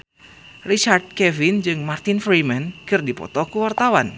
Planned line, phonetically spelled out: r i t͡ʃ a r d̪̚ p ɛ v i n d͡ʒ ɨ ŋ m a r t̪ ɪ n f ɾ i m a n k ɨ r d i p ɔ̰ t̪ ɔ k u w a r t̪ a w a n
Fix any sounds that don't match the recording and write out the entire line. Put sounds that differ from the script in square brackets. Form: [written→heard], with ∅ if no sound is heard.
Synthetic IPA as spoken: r i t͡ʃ a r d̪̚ [p→k] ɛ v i n d͡ʒ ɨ ŋ m a r t̪ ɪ n f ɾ i m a n k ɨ r d i p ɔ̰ t̪ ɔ k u w a r t̪ a w a n